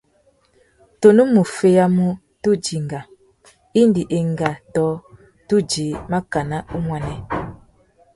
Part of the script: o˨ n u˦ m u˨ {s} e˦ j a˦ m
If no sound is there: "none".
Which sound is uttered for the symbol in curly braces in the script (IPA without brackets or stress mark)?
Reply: f